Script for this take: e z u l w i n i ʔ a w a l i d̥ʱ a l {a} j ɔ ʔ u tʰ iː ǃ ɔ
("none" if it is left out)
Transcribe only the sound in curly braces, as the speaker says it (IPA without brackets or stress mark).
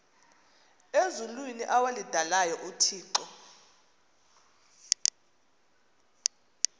a